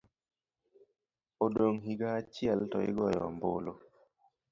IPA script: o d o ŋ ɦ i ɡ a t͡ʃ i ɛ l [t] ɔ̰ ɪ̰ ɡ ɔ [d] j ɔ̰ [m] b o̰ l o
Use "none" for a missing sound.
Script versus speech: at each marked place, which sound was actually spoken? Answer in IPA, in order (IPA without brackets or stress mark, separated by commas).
t, none, m